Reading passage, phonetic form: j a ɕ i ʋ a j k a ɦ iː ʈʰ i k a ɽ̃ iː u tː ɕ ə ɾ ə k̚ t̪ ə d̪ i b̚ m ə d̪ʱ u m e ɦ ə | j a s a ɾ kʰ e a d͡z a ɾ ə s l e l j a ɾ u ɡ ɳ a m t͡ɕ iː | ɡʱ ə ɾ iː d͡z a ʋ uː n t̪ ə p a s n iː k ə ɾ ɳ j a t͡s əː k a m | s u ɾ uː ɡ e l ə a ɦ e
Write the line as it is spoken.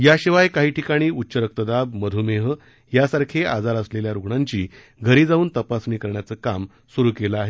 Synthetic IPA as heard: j a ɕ i ʋ a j k a ɦ iː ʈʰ i k a ɽ̃ iː u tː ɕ ə ɾ ə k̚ t̪ ə d̪ a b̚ m ə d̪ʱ u m e ɦ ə | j a s a ɾ kʰ e a d͡z a ɾ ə s l e l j a ɾ u ɡ ɳ a ɲ t͡ɕ iː | ɡʱ ə ɾ iː d͡z a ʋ uː n t̪ ə p a s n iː k ə ɾ ɳ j a t͡s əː k a m | s u ɾ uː k e l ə a ɦ e